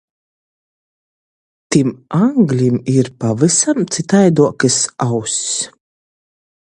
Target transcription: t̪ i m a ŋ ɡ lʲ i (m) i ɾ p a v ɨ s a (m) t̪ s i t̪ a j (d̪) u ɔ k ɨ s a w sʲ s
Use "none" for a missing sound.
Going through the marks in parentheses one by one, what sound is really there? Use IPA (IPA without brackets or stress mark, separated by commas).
m, m, d̪